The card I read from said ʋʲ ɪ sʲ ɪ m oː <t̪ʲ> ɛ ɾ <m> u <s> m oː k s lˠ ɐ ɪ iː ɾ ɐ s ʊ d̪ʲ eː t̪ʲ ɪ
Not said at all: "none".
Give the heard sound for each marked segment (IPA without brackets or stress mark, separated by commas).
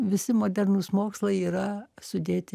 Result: d̪ʲ, n, s